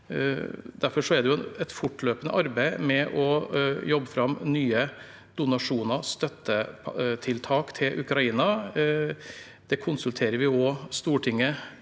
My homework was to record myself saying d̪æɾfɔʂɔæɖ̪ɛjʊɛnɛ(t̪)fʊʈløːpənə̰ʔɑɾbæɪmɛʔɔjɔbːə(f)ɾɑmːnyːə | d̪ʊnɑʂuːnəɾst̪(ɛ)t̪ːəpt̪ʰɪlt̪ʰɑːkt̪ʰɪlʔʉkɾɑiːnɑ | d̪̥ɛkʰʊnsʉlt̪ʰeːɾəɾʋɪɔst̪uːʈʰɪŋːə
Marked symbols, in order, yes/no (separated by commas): yes, yes, no